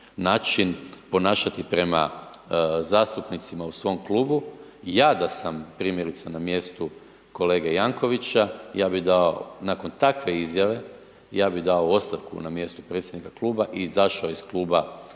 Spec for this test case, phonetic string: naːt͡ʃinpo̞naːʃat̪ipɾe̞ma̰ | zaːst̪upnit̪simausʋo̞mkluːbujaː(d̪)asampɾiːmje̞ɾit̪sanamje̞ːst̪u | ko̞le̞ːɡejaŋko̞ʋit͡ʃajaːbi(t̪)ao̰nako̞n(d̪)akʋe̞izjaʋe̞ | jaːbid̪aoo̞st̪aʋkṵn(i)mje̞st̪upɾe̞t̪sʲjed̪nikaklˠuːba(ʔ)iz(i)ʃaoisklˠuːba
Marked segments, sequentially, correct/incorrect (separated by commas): correct, incorrect, incorrect, incorrect, correct, incorrect